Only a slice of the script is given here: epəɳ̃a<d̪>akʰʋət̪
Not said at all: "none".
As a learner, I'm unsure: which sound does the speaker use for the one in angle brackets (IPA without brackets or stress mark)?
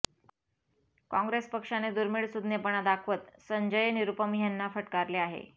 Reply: d̪